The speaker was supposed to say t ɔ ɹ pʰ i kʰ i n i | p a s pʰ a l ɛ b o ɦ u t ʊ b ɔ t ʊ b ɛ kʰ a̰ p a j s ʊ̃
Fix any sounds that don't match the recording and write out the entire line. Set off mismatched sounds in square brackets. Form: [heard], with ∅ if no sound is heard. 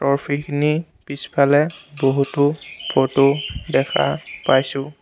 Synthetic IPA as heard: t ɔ ɹ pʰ i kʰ i n i | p [i] s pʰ a l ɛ b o ɦ u t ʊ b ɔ t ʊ [d] ɛ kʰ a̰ p a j s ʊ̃